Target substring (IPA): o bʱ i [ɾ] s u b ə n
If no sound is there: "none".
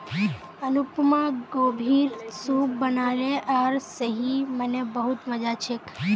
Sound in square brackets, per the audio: ɾ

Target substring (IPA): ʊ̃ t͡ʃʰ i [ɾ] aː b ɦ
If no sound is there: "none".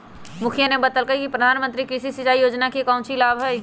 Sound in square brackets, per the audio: l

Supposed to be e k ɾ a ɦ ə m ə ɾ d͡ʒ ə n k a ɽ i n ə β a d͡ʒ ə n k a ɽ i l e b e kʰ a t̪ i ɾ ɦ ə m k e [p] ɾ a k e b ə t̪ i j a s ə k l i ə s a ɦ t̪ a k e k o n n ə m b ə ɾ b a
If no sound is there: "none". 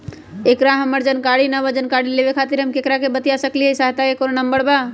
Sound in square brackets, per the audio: k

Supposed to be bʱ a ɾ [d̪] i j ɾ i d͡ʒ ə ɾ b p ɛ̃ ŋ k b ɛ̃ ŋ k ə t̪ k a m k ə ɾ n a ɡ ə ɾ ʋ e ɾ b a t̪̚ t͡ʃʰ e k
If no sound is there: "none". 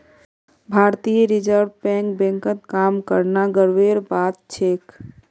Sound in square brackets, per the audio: t̪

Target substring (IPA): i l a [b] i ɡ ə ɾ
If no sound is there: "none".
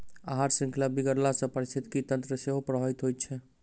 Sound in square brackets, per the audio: b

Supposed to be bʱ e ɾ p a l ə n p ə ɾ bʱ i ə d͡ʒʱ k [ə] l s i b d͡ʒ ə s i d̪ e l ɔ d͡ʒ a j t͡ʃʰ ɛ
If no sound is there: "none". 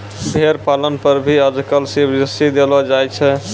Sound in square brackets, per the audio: ə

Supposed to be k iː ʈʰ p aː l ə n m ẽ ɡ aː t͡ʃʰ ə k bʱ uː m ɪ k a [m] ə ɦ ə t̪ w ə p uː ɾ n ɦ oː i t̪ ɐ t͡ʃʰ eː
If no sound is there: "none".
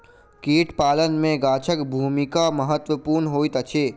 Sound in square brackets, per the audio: m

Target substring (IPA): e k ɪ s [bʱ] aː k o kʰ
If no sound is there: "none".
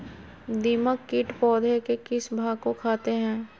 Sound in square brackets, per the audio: bʱ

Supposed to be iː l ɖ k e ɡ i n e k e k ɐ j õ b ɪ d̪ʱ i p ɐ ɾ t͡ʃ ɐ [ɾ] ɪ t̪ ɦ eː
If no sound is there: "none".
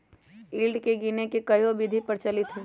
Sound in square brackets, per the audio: l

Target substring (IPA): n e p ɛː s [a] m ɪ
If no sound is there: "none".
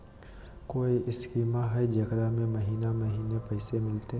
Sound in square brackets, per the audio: e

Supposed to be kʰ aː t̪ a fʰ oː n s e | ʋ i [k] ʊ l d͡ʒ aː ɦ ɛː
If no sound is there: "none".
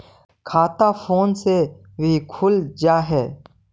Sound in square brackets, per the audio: kʰ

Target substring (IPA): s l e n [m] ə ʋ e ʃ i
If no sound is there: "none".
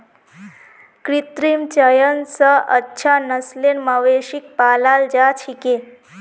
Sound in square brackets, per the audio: m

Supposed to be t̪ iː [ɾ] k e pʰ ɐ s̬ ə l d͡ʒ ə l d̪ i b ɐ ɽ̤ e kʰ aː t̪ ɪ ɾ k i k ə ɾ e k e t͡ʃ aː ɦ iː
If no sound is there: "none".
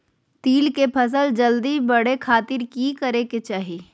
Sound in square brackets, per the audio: l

